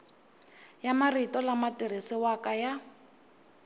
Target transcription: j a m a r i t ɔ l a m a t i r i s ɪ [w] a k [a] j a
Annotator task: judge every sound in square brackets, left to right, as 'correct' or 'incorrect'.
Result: correct, correct

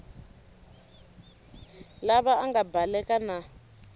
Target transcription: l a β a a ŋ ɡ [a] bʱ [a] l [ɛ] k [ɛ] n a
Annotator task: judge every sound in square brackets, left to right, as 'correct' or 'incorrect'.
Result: correct, correct, correct, incorrect

